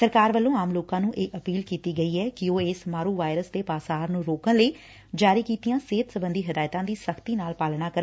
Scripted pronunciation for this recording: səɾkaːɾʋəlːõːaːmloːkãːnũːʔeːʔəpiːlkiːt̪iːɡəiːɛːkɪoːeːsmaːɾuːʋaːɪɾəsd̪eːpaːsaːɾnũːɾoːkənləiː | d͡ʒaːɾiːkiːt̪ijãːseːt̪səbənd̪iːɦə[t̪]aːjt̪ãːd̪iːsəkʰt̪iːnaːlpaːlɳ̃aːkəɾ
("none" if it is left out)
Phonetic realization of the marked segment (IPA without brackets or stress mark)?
d̪